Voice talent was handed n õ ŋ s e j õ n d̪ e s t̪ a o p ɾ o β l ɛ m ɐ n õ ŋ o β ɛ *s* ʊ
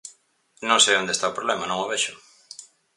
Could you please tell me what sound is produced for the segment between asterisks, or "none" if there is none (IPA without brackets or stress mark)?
ʃ